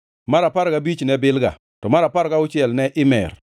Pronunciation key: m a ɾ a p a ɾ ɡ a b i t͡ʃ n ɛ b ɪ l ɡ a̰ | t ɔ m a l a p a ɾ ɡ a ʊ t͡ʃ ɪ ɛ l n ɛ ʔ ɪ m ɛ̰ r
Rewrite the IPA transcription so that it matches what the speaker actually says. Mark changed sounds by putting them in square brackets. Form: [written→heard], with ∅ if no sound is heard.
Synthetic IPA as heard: m a ɾ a p a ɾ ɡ a b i t͡ʃ n ɛ b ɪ l ɡ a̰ | t ɔ m a [l→ɾ] a p a ɾ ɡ a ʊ t͡ʃ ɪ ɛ l n ɛ ʔ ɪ m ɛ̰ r